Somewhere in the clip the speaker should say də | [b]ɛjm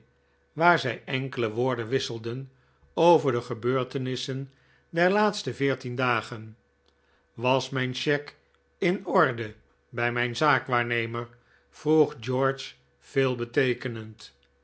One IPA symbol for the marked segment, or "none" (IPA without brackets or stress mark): b